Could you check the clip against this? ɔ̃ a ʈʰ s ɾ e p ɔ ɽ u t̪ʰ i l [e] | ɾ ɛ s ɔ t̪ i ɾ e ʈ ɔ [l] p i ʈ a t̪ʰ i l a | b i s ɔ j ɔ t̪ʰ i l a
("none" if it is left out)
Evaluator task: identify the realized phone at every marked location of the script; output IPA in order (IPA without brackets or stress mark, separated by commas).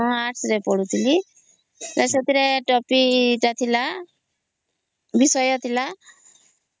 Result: i, none